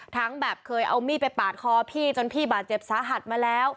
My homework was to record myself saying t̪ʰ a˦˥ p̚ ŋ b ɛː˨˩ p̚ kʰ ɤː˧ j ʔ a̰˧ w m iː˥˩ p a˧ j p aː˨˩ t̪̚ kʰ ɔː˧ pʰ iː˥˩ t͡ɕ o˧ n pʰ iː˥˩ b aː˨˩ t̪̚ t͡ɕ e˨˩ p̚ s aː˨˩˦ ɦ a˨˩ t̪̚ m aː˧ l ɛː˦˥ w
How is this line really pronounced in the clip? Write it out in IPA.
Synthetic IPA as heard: t̪ʰ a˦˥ ŋ b ɛː˨˩ p̚ kʰ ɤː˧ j ʔ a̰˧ w m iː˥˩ p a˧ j p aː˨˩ t̪̚ kʰ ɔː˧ pʰ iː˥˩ t͡ɕ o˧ n pʰ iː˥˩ b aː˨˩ t̪̚ t͡ɕ e˨˩ p̚ s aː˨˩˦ ɦ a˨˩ t̪̚ m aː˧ l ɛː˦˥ w